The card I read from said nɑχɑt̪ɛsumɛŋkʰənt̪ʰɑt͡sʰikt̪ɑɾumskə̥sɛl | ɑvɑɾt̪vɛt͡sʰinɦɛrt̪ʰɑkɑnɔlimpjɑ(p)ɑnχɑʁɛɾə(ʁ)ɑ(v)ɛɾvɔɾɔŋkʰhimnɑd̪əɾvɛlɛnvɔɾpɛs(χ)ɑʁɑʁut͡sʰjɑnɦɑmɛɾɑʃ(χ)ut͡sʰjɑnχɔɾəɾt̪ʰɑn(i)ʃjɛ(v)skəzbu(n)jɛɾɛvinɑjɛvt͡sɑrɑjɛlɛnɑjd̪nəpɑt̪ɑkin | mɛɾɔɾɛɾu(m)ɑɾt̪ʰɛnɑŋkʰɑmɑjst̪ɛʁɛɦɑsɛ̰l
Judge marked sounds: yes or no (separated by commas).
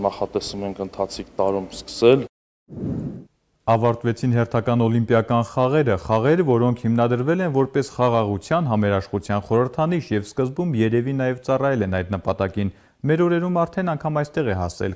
no, no, no, yes, yes, yes, yes, no, yes